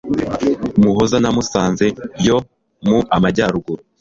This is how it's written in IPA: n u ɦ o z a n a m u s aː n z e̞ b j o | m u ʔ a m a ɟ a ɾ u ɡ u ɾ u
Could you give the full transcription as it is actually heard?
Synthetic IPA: m u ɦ o z a n a m u s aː n z e̞ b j o | m u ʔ a m a ɟ a ɾ u ɡ u ɾ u